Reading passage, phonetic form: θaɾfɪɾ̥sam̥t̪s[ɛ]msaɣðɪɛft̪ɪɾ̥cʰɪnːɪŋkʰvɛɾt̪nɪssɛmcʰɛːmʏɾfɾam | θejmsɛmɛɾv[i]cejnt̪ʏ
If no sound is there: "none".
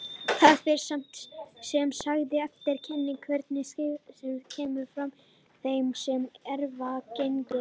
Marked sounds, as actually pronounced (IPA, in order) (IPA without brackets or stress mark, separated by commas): ɛ, a